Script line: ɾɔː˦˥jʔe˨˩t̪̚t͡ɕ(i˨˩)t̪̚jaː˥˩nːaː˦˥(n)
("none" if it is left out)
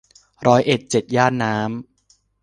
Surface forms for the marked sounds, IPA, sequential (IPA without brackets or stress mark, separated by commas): e˨˩, m